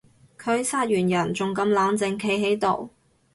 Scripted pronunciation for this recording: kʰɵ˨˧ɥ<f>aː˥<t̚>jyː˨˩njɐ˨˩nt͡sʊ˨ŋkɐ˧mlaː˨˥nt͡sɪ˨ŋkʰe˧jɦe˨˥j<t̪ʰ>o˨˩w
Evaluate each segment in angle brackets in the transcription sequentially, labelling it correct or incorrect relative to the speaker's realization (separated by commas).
incorrect, correct, incorrect